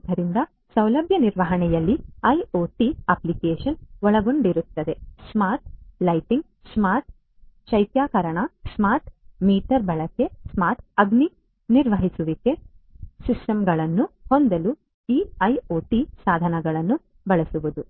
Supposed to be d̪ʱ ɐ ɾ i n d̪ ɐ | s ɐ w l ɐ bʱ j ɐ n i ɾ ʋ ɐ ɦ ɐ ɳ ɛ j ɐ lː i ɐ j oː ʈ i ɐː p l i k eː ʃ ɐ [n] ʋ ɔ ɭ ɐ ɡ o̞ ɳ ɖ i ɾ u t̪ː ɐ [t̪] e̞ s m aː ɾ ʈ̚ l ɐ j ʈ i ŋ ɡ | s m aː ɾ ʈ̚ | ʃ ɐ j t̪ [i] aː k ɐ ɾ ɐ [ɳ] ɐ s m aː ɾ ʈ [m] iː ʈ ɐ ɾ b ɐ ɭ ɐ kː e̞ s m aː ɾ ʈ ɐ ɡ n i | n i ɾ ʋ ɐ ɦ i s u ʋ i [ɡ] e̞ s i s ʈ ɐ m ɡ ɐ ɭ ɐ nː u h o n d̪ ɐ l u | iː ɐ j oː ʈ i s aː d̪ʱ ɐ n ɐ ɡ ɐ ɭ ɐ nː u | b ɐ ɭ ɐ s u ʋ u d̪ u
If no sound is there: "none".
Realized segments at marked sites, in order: n, d̪, j, ɳ, m, k

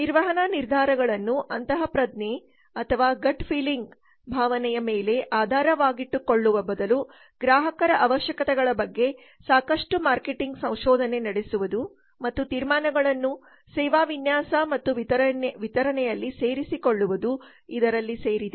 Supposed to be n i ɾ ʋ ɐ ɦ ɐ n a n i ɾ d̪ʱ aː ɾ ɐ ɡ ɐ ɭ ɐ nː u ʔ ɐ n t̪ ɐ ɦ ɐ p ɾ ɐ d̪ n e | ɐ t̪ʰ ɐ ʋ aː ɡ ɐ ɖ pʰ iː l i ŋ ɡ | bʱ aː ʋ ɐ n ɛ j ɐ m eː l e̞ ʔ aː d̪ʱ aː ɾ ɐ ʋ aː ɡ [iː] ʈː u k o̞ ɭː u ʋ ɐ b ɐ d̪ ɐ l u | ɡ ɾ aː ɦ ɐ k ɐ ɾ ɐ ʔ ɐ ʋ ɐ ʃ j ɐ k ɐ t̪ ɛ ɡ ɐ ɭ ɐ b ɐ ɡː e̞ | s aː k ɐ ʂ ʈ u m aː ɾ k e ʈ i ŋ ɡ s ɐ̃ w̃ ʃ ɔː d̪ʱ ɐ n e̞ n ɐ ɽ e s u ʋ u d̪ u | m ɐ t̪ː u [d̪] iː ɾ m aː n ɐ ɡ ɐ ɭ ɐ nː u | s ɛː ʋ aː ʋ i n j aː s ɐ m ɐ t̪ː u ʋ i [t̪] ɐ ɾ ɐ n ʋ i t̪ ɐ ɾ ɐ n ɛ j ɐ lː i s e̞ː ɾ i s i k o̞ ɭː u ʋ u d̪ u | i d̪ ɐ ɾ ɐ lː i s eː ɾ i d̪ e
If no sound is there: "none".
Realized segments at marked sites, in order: i, t̪, t̪

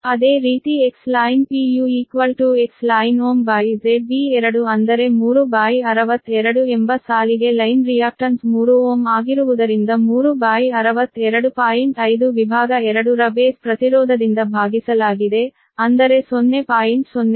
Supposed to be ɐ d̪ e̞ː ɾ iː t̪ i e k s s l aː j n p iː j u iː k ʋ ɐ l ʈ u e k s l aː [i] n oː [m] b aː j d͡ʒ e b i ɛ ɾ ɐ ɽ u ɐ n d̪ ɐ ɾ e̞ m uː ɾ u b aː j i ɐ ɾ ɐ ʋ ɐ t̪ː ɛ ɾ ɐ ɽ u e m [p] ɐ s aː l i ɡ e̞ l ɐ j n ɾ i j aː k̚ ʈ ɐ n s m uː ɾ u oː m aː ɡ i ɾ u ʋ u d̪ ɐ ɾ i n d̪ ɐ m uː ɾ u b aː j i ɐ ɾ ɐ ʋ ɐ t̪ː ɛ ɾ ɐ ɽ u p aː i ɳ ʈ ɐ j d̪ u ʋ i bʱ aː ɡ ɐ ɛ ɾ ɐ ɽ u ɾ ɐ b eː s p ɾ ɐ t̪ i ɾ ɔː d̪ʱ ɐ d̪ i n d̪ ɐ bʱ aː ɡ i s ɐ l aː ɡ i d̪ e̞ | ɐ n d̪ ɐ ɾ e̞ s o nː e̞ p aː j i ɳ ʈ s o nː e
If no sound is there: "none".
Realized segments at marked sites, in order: j, m, b

